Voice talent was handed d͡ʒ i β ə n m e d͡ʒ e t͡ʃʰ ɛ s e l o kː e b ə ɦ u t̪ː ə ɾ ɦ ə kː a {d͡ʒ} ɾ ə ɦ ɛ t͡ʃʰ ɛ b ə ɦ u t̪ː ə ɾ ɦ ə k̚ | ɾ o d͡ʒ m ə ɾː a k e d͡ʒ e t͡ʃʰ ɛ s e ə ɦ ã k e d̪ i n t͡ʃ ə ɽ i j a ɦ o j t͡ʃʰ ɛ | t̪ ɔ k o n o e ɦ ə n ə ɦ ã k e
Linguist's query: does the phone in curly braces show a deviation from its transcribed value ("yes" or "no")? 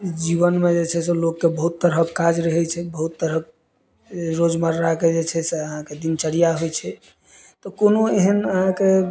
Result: no